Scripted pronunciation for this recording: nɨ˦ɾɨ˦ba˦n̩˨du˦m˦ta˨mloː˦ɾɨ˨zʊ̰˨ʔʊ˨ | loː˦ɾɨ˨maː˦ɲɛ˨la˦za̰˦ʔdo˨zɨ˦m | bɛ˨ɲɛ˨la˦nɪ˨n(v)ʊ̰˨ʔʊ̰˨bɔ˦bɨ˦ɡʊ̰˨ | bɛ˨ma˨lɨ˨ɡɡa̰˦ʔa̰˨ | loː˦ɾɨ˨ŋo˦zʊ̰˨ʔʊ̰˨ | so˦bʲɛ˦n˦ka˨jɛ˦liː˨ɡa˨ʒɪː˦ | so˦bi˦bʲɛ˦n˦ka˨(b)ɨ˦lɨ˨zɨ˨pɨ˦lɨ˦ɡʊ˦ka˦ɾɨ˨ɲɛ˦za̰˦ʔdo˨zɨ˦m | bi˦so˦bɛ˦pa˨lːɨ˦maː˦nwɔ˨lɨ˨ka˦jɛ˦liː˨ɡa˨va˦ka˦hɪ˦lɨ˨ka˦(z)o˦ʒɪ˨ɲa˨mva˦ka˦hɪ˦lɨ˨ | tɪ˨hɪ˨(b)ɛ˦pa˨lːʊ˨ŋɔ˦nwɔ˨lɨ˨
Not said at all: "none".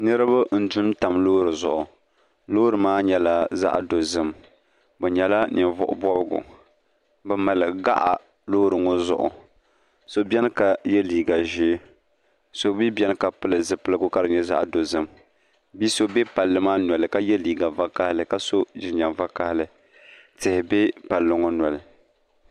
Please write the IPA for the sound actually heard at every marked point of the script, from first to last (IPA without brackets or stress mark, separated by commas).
v, p, s, b